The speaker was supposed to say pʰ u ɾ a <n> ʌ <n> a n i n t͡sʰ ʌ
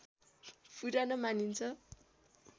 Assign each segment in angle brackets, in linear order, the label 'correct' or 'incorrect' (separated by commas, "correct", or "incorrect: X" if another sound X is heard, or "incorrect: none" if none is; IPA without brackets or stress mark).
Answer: correct, incorrect: m